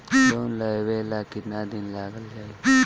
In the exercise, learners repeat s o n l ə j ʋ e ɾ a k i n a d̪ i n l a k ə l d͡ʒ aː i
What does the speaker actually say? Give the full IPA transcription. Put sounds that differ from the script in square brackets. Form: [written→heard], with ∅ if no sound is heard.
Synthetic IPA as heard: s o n l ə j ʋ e [ɾ→l] a k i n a d̪ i n l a [k→ɡ] ə l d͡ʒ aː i

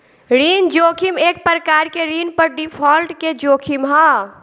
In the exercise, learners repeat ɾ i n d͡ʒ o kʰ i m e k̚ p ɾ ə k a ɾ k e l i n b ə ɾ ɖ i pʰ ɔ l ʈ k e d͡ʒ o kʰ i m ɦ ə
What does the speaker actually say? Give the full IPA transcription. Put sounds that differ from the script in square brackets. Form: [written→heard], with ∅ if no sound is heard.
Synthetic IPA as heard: ɾ i n d͡ʒ o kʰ i m e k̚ p ɾ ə k a ɾ k e [l→ɾ] i n [b→p] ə ɾ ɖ i pʰ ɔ l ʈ k e d͡ʒ o kʰ i m ɦ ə

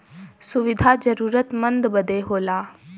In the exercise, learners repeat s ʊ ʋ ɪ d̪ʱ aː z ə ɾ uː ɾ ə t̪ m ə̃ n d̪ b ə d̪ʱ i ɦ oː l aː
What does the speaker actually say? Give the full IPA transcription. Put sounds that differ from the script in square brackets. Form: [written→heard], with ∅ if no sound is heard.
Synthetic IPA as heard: s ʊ ʋ ɪ d̪ʱ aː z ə ɾ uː ɾ ə t̪ m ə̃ n d̪ b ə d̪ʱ [i→e] ɦ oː l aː

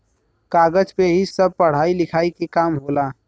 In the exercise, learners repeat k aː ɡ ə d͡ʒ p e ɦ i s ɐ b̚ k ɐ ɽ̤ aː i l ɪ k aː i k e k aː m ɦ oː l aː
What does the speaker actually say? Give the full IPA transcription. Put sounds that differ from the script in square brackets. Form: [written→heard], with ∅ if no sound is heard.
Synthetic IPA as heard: k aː ɡ ə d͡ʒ p e ɦ i s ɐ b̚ [k→p] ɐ ɽ̤ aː i l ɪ [k→kʰ] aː i k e k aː m ɦ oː l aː

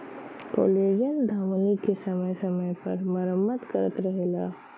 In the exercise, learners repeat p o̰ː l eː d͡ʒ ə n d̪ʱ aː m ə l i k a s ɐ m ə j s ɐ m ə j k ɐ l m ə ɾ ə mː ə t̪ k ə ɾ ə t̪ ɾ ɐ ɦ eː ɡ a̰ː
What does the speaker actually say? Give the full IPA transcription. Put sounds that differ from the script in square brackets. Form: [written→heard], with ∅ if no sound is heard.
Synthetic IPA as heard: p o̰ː l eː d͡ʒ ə n d̪ʱ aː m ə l i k [a→e] s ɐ m ə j s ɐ m ə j [k→p] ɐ [l→ɾ] m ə ɾ ə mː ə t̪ k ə ɾ ə t̪ ɾ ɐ ɦ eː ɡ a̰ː

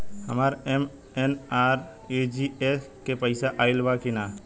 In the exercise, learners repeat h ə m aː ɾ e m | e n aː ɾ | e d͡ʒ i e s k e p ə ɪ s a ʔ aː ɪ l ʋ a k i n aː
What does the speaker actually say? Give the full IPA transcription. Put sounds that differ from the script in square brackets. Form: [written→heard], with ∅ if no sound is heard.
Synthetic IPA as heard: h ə m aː ɾ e m | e n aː ɾ | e d͡ʒ i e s k e p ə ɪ s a ʔ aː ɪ l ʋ a k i n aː

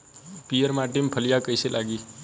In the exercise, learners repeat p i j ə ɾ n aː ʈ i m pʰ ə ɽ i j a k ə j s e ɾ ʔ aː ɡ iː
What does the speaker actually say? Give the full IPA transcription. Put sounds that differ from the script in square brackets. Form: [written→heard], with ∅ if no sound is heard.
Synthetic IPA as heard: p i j ə ɾ [n→m] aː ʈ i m pʰ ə [ɽ→l] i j a k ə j s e [ɾ→l] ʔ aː ɡ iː

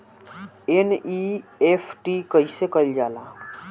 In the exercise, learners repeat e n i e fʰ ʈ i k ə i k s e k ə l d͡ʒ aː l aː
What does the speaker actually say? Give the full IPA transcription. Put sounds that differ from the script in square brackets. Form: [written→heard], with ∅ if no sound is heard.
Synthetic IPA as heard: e n i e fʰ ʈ i k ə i [k→∅] s e k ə l d͡ʒ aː l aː

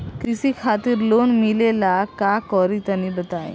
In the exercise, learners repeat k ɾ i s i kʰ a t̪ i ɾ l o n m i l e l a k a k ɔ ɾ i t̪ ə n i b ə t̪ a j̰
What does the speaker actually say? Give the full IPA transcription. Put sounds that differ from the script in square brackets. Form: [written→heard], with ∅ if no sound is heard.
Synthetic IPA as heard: k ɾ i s i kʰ a t̪ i ɾ l o n m i l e l a k a k ɔ ɾ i t̪ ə n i b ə t̪ a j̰

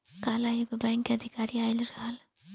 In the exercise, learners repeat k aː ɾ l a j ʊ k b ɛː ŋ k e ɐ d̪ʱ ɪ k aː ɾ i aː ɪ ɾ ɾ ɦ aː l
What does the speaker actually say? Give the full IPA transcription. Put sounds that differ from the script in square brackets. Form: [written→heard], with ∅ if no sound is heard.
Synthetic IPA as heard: k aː [ɾ→∅] l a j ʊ [k→ɡ] b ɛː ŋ k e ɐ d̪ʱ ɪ k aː ɾ i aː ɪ [ɾ→l] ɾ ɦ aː l

